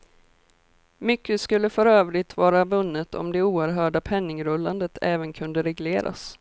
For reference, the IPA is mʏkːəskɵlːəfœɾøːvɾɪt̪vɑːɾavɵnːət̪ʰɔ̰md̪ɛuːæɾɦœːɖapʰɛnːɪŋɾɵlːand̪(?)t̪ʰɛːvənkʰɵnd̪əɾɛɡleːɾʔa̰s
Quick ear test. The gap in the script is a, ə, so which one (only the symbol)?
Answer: ə